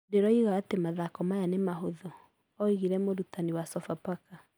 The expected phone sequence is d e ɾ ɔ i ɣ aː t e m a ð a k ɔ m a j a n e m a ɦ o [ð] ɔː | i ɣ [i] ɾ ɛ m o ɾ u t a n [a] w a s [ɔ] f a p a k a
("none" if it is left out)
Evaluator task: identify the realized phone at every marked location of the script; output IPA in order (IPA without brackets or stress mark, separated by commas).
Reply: ð, i, i, ɔ